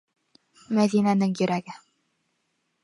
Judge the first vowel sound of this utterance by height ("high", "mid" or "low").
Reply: low